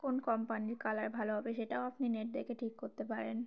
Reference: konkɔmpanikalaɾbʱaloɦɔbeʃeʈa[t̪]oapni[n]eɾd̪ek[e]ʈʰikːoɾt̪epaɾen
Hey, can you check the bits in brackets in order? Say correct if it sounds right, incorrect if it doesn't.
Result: incorrect: none, correct, correct

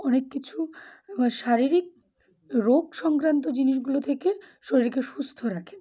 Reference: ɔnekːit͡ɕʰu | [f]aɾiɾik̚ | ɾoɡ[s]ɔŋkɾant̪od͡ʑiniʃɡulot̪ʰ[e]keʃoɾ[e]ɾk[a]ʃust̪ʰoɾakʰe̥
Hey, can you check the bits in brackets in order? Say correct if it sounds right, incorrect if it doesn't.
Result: incorrect: ʃ, incorrect: ʃ, correct, incorrect: i, incorrect: e

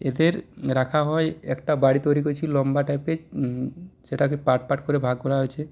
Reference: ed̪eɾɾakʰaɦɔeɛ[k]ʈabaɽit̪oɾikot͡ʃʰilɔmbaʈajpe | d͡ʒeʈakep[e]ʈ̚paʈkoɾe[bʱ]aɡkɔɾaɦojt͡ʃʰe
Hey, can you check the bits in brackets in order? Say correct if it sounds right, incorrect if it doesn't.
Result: correct, incorrect: a, correct

